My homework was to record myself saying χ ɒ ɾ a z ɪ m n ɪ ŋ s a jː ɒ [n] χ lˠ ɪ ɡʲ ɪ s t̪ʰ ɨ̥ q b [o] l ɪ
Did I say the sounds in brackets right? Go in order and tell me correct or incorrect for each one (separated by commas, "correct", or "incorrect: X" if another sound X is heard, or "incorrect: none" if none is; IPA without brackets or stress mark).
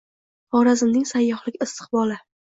incorrect: none, incorrect: ɒ